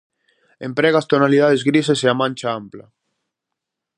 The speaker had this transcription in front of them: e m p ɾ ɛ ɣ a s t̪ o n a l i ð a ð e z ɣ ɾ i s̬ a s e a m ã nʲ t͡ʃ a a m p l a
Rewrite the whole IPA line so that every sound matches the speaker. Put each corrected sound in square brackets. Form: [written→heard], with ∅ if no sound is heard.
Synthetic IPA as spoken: e m p ɾ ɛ ɣ a s t̪ o n a l i ð a ð e z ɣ ɾ i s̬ [a→e] s e a m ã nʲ t͡ʃ a a m p l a